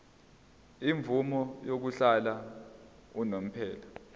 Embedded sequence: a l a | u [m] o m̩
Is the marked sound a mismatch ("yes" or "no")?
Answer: yes